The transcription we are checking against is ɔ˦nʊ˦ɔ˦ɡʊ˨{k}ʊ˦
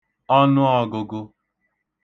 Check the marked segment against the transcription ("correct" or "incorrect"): incorrect